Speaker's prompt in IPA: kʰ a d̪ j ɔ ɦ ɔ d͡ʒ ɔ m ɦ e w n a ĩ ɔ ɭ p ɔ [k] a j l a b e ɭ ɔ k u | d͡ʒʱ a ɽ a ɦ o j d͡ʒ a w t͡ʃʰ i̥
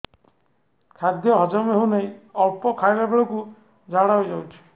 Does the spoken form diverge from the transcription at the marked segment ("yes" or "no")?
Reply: yes